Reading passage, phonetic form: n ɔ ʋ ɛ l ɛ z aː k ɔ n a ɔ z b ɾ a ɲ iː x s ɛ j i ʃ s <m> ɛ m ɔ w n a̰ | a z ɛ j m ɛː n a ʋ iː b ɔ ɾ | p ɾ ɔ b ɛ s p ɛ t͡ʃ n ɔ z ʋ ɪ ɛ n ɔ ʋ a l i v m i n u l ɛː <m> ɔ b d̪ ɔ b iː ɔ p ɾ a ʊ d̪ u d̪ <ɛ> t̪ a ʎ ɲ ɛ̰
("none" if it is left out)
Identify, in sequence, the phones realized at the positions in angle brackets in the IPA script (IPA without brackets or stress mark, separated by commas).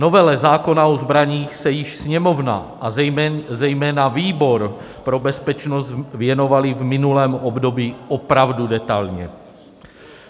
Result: ɲ, m, ɛ